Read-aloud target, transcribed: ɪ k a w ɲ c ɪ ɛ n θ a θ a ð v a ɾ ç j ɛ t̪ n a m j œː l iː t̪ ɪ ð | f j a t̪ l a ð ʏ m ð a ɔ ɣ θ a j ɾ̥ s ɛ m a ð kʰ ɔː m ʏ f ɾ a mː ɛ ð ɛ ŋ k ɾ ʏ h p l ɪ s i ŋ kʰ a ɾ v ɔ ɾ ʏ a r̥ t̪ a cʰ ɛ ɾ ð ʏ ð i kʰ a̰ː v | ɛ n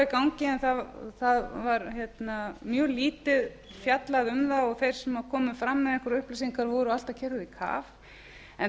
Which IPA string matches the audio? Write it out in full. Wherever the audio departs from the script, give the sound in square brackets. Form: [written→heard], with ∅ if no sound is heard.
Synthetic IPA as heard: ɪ k a w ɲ c ɪ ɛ n θ a θ a ð v a ɾ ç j ɛ t̪ n a m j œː l iː t̪ ɪ ð | f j a t̪ l a ð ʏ m ð a ɔ ɣ θ [a→e] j ɾ̥ s ɛ m a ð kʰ ɔː m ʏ f ɾ a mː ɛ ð ɛ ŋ k ɾ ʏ h p l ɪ s i ŋ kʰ a ɾ v ɔ ɾ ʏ a [r̥→l̥] t̪ a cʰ ɛ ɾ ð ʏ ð i kʰ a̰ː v | ɛ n